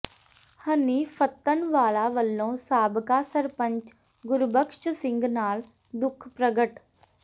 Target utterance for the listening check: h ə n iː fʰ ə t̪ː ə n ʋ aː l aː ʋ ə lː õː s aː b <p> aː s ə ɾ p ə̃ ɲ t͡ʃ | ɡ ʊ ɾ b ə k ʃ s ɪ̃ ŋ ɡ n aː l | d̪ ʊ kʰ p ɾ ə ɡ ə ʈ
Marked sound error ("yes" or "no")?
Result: yes